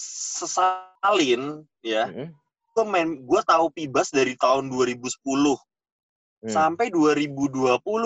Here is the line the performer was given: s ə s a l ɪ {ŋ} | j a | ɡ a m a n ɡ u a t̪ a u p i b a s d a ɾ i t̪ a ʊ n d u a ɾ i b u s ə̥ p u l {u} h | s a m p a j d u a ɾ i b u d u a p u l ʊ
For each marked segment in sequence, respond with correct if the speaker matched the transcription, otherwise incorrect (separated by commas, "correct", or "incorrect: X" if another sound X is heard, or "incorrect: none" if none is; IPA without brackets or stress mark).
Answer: incorrect: n, incorrect: ʊ